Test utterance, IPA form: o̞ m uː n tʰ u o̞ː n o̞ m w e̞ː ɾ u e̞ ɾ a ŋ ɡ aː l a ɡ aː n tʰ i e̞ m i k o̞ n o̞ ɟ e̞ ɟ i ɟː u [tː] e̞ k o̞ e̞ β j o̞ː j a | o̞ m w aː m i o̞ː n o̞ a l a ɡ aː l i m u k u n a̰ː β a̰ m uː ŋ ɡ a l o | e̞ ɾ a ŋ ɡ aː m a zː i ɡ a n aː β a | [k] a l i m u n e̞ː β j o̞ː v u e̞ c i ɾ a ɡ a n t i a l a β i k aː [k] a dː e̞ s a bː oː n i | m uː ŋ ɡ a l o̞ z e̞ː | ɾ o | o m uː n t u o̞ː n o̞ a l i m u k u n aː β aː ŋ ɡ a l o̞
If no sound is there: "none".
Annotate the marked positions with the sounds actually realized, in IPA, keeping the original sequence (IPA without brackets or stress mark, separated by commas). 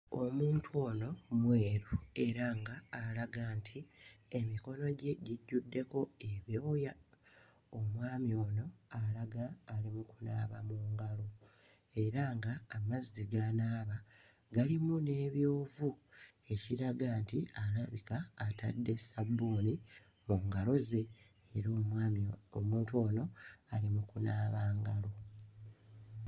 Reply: dː, ɡ, t